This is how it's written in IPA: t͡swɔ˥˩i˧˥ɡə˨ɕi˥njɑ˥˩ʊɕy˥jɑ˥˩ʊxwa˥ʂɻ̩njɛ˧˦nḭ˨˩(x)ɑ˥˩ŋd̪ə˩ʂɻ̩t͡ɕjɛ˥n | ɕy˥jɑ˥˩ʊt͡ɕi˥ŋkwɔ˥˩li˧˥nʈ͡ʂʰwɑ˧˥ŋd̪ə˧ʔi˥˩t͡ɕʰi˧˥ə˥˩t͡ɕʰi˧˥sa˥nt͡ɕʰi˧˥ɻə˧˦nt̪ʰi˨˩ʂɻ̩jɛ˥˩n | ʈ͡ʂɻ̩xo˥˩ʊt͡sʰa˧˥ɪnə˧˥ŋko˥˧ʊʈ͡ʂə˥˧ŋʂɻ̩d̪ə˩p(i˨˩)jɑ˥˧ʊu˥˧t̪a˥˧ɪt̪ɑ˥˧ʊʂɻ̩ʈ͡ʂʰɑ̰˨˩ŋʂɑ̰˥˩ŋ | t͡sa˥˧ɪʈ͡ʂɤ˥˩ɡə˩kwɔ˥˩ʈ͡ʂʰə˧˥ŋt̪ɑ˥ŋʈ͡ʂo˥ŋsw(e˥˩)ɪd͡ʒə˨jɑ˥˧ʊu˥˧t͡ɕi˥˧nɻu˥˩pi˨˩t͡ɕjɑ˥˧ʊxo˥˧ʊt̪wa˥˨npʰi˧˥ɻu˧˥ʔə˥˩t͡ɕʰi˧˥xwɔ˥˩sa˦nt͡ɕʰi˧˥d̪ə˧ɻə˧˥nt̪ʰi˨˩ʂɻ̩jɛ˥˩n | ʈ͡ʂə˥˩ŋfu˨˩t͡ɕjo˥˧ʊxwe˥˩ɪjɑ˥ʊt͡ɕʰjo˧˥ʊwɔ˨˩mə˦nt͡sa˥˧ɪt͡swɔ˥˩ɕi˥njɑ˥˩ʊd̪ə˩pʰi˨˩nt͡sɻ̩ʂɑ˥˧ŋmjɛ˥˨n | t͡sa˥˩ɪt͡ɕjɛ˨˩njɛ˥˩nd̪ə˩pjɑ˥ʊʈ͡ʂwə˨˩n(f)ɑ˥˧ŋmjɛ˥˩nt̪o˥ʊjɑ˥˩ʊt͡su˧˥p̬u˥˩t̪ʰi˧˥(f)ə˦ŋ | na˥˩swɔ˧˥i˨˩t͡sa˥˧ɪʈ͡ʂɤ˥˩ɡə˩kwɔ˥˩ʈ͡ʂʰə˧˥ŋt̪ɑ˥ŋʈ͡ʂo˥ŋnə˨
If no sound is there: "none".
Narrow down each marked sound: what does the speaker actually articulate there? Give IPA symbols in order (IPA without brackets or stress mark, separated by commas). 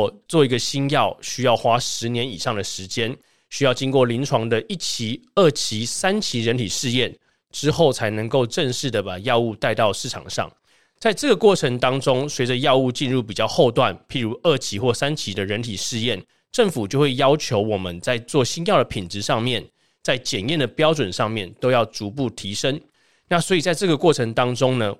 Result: ʂ, a˨˩, e˧˥, ʂ, ʂ